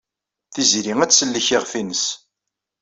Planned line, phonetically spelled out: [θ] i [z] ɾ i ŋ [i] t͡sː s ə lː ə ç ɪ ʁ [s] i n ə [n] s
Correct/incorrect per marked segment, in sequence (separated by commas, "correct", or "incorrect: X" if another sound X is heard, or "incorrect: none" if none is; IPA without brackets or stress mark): correct, correct, incorrect: æ, incorrect: f, incorrect: none